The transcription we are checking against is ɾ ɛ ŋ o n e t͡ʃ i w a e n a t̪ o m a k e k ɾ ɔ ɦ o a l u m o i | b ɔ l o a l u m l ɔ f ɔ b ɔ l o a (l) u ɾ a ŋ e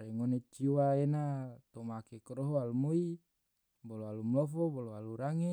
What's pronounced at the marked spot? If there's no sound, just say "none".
l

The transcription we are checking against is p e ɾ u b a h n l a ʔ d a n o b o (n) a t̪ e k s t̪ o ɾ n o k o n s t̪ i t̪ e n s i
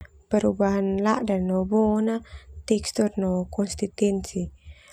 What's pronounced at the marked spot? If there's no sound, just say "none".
n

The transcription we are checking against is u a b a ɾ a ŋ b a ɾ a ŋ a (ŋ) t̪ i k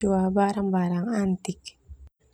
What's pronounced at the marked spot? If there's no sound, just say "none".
n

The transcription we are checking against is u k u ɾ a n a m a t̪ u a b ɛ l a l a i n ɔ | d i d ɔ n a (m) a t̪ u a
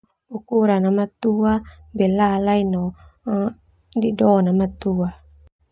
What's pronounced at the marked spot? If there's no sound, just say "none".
m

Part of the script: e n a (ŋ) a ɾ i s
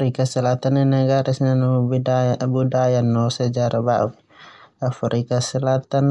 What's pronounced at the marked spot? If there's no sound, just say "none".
ɡ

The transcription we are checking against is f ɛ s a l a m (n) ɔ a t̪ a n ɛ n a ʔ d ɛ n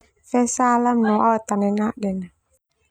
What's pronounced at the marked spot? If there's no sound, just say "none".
n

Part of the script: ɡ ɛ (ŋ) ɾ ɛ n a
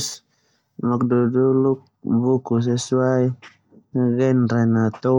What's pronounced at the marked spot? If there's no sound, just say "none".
n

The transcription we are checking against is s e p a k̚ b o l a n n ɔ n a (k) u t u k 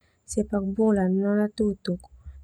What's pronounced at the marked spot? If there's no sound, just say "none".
t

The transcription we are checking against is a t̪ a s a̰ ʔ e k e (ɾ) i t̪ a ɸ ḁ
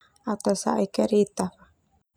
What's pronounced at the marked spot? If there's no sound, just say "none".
ɾ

